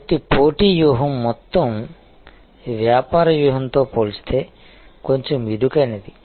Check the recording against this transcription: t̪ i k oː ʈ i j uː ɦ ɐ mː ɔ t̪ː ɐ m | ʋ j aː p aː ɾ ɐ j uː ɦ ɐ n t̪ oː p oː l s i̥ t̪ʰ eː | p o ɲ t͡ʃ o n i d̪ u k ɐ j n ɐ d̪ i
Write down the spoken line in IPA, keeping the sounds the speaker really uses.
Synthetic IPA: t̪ i p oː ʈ i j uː ɦ ɐ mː ɔ t̪ː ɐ m | ʋ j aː p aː ɾ ɐ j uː ɦ ɐ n t̪ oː p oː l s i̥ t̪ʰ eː | k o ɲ t͡ʃ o m i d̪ u k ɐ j n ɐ d̪ i

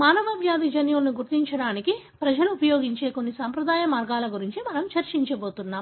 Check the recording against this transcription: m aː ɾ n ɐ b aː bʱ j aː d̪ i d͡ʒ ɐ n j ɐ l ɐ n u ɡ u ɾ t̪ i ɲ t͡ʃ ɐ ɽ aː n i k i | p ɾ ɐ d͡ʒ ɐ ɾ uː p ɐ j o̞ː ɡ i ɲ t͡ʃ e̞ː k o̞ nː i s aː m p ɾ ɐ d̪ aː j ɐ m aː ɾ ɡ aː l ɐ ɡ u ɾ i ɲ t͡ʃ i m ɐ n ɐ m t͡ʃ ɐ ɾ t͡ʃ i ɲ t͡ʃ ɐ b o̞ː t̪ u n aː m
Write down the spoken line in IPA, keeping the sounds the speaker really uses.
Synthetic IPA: m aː n ɐ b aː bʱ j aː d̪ i d͡ʒ ɐ n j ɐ l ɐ n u ɡ u ɾ t̪ i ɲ t͡ʃ ɐ ɽ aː n i k i | p ɾ ɐ d͡ʒ ɐ l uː p ɐ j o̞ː ɡ i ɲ t͡ʃ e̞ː k o̞ nː i s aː m p ɾ ɐ d̪ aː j ɐ m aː ɾ ɡ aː l ɐ ɡ u ɾ i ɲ t͡ʃ i m ɐ n ɐ m t͡ʃ ɐ ɾ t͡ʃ i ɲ t͡ʃ ɐ b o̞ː t̪ u nː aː m

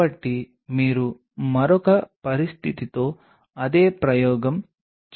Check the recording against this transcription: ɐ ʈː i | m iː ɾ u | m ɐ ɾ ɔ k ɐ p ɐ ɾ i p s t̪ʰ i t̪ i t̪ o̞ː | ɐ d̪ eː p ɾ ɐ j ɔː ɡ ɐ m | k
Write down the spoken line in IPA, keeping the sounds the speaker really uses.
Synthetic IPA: ɐ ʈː i | m iː ɾ u | m ɐ ɾ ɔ k ɐ p ɐ ɾ i s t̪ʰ i t̪ i t̪ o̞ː | ɐ d̪ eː p ɾ ɐ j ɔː ɡ ɐ m | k

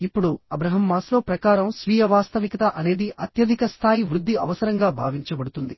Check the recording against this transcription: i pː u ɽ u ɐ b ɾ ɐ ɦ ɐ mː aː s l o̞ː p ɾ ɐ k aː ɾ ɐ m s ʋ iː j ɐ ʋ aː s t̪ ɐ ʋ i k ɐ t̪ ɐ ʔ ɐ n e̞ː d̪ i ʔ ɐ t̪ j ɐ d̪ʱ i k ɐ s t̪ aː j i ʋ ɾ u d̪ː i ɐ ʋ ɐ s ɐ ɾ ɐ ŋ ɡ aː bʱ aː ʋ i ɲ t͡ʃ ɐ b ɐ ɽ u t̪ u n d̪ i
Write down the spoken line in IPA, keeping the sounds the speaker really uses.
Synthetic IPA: i pː u ɽ u ɐ b ɾ ɐ ɦ ɐ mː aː s l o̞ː p ɾ ɐ k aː ɾ ɐ m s ʋ iː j ɐ ʋ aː s t̪ ɐ ʋ i k ɐ t̪ ɐ ʔ ɐ n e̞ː d̪ i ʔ ɐ t̪ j ɐ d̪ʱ i k ɐ s t̪ʰ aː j i ʋ ɾ u d̪ː i ɐ ʋ ɐ s ɐ ɾ ɐ ŋ ɡ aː bʱ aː ʋ i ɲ t͡ʃ ɐ b ɐ ɽ u t̪ u n d̪ i

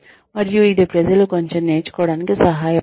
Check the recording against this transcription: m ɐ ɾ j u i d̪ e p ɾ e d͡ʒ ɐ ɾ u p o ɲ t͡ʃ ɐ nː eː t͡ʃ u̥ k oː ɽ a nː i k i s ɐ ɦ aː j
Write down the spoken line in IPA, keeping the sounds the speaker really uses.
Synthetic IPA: m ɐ ɾ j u i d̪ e p ɾ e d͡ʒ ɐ l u k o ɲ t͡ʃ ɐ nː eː t͡ʃ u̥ k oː ɽ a n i k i s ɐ ɦ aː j

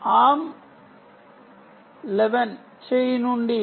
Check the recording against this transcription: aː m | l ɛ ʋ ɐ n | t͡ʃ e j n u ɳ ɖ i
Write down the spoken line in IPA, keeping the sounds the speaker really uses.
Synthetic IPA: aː m | l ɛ ʋ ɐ n | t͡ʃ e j n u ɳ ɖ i

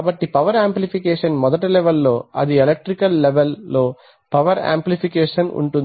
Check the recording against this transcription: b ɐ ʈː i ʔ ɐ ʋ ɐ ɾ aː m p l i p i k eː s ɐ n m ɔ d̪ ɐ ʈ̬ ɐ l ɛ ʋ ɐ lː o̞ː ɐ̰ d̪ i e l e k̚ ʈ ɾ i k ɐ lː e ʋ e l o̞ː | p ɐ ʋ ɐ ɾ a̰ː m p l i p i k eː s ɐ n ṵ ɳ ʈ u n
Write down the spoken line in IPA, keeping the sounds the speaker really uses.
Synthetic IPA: b ɐ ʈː i p ɐ ʋ ɐ ɾ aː m p l i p i k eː ʂ ɐ n m ɔ d̪ ɐ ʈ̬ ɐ l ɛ ʋ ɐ lː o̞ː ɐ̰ d̪ i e l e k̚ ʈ ɾ i k ɐ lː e ʋ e lː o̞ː | p ɐ ʋ ɐ ɾ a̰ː m p l i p i k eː ʂ ɐ n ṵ ɳ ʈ u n

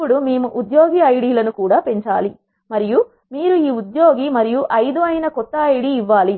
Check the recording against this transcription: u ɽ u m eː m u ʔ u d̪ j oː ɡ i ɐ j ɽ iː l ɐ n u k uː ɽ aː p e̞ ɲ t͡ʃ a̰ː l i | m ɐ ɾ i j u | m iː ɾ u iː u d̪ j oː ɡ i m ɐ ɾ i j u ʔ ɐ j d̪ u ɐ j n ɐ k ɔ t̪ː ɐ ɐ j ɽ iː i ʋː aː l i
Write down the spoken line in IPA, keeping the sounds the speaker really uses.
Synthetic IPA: u ɽ u m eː m u ʔ u d̪ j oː ɡ i ɐ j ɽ iː l ɐ n u k uː ɽ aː p e̞ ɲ t͡ʃ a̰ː l i | m ɐ ɾ i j u | m iː ɾ u iː u d̪ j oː ɡ i m ɐ ɾ i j u ʔ ɐ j d̪ u ɐ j n ɐ k ɔ t̪ː ɐ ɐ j ɽ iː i ʋː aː l i

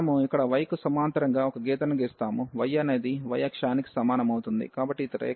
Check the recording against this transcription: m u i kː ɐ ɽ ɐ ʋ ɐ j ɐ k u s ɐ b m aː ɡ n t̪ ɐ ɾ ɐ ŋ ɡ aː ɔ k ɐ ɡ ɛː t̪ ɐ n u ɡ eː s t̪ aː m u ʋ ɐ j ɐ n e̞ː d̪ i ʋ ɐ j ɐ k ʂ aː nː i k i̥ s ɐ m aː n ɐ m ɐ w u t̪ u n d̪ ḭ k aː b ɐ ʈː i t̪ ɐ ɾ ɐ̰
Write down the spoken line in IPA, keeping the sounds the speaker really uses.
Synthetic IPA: m u i kː ɐ ɽ ɐ ʋ ɐ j ɐ k u s ɐ m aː n t̪ ɐ ɾ ɐ ŋ ɡ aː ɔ k ɐ ɡ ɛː t̪ ɐ n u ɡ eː s t̪ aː m u ʋ ɐ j ɐ n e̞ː d̪ i ʋ ɐ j ɐ k ʂ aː n i k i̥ s ɐ m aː n ɐ m ɐ w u t̪ u n d̪ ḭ k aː b ɐ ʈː i t̪ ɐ ɾ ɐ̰

